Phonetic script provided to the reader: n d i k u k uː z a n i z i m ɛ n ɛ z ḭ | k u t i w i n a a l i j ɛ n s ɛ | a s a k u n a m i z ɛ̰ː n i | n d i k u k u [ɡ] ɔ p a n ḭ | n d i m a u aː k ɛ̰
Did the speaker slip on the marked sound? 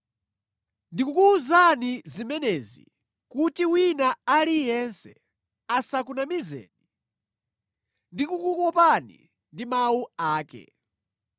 yes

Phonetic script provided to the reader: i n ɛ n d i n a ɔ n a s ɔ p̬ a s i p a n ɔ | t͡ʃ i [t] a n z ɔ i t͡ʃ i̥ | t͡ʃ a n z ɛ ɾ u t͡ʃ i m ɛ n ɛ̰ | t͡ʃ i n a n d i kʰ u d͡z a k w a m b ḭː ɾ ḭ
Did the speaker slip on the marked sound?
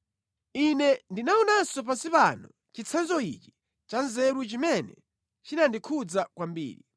yes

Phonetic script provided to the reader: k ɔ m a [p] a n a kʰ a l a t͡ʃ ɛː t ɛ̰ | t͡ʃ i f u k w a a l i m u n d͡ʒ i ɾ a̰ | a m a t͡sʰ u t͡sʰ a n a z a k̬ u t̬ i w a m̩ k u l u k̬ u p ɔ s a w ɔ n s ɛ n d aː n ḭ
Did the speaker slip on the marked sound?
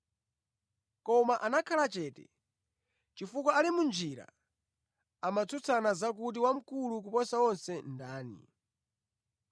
yes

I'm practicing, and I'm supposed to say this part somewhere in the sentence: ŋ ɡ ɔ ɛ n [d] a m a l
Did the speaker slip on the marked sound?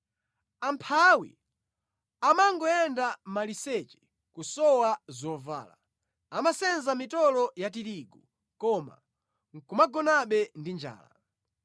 no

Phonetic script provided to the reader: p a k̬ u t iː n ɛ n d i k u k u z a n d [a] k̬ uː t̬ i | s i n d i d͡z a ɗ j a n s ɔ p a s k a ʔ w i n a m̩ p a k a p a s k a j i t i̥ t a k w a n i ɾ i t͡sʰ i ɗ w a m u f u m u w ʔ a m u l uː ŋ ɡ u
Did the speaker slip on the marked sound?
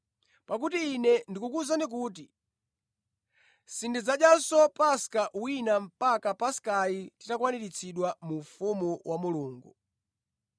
yes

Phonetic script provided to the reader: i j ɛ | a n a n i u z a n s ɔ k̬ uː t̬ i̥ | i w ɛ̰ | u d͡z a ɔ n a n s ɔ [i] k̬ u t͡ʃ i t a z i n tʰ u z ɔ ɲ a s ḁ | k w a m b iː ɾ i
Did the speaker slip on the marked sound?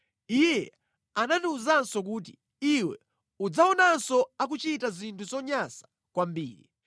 yes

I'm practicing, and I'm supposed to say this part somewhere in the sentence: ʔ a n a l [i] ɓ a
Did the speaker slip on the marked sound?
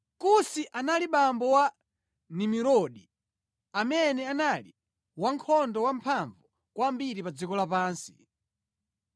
no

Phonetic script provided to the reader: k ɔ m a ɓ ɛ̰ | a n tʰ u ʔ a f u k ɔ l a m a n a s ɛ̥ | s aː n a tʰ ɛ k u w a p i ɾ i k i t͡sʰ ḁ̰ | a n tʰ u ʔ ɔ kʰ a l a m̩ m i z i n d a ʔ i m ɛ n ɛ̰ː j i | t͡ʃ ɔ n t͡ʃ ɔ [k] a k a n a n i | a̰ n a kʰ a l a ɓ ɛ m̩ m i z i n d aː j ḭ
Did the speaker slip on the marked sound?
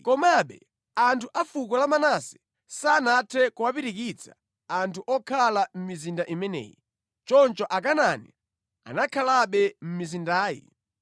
yes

